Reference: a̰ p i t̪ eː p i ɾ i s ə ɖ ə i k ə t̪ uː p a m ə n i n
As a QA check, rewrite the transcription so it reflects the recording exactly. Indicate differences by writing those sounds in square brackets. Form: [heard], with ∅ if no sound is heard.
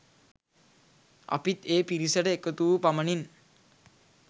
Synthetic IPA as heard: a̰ p i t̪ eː p i ɾ i s ə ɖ ə [e] k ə t̪ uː p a m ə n i n